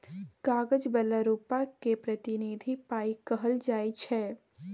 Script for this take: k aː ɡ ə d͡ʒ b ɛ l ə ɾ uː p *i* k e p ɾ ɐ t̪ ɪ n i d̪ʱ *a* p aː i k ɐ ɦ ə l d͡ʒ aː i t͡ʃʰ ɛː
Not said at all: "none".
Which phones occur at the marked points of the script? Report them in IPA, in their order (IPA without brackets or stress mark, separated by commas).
a, i